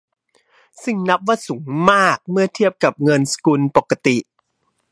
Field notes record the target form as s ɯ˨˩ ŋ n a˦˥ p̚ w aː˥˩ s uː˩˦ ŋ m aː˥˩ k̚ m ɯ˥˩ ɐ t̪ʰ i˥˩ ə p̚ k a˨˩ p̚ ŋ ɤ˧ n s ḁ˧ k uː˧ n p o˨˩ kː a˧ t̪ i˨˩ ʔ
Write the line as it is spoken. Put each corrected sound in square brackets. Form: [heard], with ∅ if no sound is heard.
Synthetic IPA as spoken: s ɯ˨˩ ŋ n a˦˥ p̚ w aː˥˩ s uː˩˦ ŋ m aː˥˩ k̚ m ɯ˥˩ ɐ t̪ʰ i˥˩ ə p̚ k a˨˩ p̚ ŋ ɤ˧ n s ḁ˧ k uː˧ n p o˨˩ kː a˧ t̪ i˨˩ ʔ